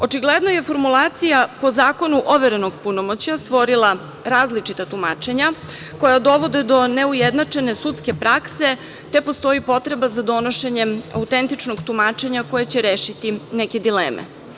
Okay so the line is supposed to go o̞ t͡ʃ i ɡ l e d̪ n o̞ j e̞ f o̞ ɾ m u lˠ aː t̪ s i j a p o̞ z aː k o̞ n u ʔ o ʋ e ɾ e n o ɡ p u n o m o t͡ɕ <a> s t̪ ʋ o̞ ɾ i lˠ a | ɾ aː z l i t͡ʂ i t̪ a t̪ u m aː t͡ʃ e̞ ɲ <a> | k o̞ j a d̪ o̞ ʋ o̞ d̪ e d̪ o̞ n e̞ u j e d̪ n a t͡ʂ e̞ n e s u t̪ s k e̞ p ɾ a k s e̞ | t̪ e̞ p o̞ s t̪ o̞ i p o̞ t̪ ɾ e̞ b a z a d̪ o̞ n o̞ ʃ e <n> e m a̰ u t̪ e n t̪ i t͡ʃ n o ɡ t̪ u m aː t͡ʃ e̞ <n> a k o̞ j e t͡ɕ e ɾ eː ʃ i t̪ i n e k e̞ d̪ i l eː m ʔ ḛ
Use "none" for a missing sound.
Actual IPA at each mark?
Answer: a, a, ɲ, ɲ

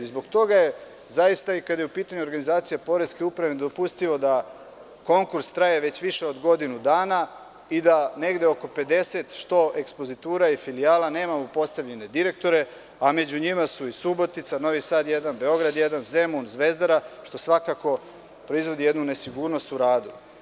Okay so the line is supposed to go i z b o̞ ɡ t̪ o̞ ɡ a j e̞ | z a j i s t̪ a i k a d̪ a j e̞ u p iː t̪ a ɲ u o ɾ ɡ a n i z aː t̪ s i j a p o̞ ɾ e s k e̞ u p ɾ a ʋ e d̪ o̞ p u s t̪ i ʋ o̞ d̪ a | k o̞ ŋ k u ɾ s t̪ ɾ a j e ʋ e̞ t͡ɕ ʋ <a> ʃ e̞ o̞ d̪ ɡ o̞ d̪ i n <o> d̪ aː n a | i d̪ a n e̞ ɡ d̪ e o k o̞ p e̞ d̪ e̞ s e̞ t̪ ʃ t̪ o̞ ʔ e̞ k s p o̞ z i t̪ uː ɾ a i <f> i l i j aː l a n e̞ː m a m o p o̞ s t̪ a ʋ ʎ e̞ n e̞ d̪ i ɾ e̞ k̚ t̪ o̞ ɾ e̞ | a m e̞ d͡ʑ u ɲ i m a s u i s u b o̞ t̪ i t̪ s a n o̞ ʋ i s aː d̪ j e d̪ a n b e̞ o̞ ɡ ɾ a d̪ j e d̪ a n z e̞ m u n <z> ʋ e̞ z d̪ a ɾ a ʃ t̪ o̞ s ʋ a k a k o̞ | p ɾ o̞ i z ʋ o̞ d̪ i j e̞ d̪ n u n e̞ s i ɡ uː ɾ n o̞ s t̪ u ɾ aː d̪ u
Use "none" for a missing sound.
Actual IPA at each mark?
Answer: i, u, f, z

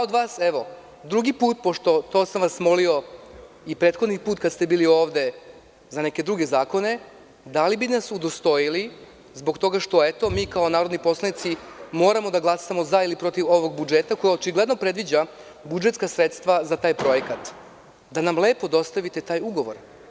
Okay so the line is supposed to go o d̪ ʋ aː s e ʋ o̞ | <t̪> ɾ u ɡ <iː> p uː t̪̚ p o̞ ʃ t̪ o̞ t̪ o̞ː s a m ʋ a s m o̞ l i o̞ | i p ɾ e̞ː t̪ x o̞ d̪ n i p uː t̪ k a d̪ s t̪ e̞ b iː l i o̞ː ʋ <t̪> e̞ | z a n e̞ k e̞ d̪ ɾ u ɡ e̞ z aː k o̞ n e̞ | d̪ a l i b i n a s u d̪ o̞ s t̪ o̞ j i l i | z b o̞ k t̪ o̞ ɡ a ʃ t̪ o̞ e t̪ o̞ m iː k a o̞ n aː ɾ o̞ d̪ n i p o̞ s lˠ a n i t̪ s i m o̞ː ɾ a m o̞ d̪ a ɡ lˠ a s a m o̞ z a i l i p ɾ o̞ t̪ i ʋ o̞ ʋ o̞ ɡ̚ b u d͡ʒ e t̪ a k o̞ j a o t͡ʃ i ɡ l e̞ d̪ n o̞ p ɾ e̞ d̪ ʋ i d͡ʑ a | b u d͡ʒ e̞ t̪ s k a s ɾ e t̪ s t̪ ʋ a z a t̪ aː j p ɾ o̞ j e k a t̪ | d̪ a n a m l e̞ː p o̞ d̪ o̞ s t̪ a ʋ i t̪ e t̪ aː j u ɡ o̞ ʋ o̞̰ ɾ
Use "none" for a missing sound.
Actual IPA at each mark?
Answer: d̪, i, d̪

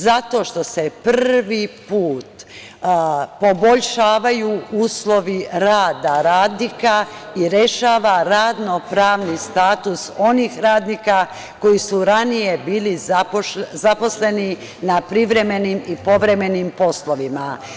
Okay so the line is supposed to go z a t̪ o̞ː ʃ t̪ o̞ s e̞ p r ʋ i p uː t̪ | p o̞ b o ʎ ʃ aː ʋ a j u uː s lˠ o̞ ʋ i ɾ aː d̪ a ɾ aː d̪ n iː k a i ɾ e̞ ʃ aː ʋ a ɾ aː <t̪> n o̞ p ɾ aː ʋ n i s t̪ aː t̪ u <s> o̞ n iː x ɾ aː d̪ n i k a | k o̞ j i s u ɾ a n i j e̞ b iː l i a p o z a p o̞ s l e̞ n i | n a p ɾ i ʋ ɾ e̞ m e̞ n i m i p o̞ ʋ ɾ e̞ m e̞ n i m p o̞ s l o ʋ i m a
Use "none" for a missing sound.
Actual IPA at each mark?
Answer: d̪, s

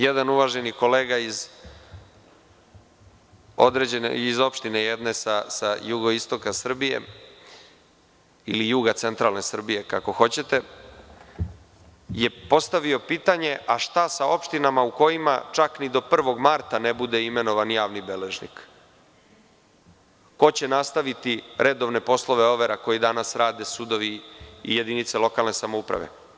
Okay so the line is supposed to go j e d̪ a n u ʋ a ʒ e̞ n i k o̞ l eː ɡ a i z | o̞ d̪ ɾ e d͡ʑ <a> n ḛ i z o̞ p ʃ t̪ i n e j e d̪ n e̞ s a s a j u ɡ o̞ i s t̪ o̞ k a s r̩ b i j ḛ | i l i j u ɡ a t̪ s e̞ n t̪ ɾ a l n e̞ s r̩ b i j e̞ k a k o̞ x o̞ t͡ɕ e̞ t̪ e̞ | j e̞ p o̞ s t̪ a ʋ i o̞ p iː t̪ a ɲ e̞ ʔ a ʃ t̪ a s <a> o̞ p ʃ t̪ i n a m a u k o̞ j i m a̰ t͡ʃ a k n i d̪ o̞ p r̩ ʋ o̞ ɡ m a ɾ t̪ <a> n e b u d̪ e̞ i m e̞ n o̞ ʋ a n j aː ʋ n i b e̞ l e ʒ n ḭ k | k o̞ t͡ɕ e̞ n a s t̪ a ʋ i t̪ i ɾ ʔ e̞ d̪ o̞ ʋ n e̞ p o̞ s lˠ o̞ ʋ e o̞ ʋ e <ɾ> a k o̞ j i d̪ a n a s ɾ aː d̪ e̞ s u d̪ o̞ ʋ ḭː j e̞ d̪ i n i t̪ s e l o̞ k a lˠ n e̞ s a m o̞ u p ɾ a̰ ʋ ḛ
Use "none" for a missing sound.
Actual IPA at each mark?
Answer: e, a, a, ɾ

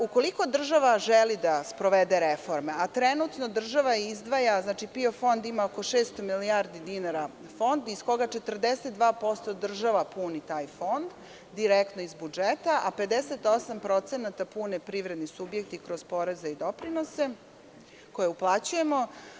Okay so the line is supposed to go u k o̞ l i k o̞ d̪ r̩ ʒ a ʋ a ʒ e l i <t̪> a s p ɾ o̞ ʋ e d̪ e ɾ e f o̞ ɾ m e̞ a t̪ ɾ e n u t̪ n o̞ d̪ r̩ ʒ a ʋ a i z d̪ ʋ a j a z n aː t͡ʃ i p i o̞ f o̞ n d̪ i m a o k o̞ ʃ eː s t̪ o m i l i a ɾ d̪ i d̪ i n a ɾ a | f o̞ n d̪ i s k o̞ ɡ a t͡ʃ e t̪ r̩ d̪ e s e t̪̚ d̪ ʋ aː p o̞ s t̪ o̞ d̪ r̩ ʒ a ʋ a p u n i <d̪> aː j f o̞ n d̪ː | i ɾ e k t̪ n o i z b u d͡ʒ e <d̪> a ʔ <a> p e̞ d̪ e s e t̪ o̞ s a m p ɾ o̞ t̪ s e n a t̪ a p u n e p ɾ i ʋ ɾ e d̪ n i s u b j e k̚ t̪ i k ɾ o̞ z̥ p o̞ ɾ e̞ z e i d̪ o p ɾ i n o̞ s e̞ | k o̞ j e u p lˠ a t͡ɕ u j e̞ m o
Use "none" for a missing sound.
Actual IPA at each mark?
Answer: d̪, t̪, t̪, a

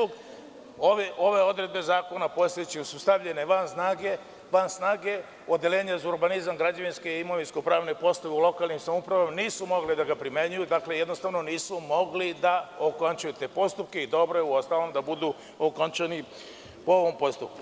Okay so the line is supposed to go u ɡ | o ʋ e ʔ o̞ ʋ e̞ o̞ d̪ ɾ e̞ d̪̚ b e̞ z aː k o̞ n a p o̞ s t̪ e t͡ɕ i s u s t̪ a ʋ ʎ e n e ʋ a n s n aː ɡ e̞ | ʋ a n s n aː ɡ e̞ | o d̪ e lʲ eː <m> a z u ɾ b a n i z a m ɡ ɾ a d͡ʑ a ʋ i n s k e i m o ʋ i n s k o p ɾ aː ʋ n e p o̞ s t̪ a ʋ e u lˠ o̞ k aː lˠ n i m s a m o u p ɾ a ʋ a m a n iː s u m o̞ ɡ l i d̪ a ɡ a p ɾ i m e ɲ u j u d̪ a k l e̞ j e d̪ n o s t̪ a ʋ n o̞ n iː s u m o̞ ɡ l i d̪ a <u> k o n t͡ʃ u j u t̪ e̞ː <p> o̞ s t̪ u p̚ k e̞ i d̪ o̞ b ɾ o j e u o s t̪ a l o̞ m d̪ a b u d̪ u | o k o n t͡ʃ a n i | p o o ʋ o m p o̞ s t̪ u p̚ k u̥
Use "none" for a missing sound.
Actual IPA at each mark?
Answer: ɲ, o, p

